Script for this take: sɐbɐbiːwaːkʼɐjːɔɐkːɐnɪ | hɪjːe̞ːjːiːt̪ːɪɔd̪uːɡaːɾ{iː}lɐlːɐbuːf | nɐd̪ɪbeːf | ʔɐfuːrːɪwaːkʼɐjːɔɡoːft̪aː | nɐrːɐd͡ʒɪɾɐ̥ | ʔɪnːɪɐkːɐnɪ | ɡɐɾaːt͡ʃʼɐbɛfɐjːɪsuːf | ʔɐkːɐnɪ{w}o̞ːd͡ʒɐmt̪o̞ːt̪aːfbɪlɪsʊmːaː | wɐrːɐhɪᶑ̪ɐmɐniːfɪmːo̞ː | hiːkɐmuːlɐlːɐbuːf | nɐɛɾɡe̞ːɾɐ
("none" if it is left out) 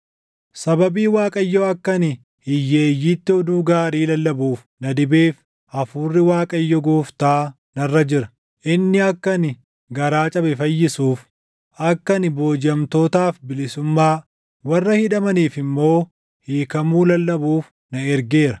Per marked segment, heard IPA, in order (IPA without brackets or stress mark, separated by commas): iː, b